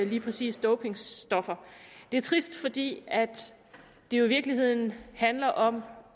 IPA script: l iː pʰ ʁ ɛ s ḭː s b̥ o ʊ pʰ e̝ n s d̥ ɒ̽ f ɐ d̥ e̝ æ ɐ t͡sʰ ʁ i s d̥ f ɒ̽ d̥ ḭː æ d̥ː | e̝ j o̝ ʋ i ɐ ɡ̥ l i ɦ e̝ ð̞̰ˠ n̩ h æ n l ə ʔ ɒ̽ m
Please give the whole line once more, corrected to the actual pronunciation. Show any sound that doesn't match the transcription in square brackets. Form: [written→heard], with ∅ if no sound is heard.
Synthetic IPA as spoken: l iː pʰ ʁ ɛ s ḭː s [b̥→d̥] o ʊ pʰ e̝ [n→ŋ] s d̥ ɒ̽ f ɐ d̥ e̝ æ ɐ t͡sʰ ʁ i s d̥ f ɒ̽ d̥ ḭː æ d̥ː | e̝ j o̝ ʋ i ɐ ɡ̥ l i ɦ e̝ ð̞̰ˠ n̩ h æ n l [ə→ɐ] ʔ ɒ̽ m